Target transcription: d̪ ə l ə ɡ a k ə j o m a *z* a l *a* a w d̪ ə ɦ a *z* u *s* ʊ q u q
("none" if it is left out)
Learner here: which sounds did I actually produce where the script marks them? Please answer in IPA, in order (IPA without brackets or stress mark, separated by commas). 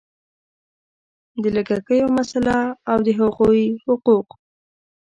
s, a, ɣ, h